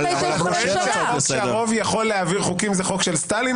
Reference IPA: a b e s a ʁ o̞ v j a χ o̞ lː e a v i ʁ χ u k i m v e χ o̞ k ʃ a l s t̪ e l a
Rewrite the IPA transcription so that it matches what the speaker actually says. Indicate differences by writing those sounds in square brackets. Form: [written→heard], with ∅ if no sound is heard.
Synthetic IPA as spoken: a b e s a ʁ o̞ v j a χ o̞ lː e a v i ʁ χ u k i m [v→z] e χ o̞ k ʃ [a→e] l s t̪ [e→a] l [a→i]

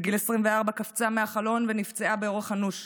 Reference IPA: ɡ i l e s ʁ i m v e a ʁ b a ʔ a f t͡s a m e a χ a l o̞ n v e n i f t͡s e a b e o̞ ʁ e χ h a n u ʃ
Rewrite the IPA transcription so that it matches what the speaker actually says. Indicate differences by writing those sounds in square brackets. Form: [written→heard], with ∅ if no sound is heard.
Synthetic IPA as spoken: ɡ i l e s ʁ i m v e a ʁ b a [ʔ→k] a f t͡s a m e a χ a l o̞ n v e n i f t͡s e a b e o̞ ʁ e χ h a n u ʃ

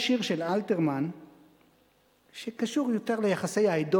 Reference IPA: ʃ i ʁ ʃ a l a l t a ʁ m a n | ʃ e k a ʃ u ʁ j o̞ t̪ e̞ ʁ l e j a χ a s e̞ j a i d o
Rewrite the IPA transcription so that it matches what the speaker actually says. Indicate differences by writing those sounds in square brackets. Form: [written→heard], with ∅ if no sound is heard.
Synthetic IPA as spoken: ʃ i ʁ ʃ [a→e] l a l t [a→e] ʁ m a n | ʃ e k a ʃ u ʁ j o̞ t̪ e̞ ʁ l e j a χ a s e̞ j a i d o

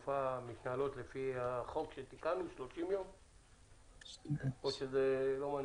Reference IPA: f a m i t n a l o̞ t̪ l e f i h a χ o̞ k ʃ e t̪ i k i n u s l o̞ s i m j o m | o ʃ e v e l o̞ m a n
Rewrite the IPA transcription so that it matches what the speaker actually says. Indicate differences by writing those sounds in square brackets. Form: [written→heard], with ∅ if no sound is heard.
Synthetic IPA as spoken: f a m i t n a l o̞ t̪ l e f i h a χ o̞ k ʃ e t̪ i k [i→a] n u [s→ʃ] l o̞ [s→ʃ] i m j o m | o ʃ e [v→z] e l o̞ m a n

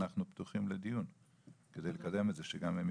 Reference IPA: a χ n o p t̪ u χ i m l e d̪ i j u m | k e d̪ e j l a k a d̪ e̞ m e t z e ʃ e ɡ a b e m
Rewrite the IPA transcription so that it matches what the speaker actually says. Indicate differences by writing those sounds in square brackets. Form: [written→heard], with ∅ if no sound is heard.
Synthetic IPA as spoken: a χ n [o→u] p t̪ u χ i m l e d̪ i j u [m→n] | k e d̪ e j l [a→e] k a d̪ e̞ m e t z e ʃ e ɡ a [b→m] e m

